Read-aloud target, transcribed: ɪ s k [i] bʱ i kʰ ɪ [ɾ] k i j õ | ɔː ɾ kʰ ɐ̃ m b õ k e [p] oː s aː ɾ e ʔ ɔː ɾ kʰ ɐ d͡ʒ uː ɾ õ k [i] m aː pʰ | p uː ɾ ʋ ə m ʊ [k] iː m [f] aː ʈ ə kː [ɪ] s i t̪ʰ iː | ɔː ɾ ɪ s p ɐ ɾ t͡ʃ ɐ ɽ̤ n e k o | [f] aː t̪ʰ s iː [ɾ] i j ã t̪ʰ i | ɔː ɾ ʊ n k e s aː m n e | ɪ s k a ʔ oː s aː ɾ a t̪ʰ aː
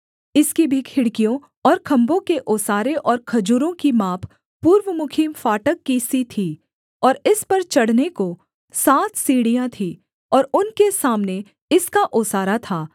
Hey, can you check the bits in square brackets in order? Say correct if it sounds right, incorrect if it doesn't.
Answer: correct, incorrect: ɽ, incorrect: ʔ, correct, incorrect: kʰ, correct, incorrect: i, incorrect: s, incorrect: ɽ

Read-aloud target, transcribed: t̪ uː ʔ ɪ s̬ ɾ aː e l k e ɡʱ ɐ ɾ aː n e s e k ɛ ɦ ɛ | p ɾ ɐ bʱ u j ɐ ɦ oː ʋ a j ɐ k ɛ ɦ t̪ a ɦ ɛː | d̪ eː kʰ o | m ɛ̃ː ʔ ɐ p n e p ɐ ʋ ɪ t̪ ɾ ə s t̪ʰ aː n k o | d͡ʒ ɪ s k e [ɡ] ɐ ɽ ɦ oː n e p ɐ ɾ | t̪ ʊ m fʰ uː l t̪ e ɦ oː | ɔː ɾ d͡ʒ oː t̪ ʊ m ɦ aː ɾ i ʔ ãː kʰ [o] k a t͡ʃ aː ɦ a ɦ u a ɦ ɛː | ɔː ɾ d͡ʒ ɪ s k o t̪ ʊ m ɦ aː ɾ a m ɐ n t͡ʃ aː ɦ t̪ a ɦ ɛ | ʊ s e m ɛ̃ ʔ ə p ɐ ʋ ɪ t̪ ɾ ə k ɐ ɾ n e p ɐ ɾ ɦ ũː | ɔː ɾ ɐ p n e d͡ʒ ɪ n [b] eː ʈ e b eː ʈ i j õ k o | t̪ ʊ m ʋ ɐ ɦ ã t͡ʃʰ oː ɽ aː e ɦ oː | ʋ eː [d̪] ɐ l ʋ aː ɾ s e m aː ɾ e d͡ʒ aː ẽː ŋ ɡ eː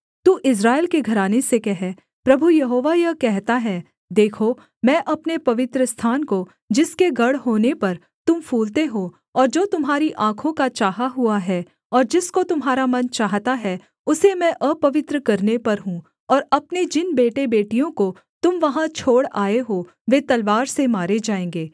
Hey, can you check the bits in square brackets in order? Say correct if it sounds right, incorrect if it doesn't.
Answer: correct, incorrect: õ, correct, incorrect: t̪

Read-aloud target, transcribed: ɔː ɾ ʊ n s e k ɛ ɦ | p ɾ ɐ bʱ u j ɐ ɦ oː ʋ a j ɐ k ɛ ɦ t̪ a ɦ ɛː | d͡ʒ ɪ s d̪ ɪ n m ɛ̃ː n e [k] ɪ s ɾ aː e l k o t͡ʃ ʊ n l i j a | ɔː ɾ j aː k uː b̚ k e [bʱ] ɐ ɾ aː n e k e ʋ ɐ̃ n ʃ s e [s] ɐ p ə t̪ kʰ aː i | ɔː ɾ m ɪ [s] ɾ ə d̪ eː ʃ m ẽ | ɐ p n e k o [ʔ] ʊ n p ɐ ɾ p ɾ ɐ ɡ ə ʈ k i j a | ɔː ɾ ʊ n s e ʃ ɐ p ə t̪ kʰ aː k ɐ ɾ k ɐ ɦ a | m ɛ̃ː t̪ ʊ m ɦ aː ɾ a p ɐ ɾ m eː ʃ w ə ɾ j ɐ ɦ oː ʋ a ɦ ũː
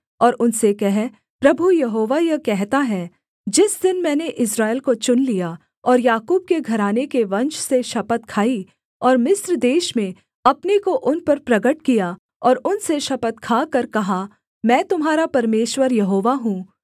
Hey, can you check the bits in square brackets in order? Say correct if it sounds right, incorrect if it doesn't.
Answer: incorrect: ʔ, incorrect: ɡʱ, incorrect: ʃ, correct, correct

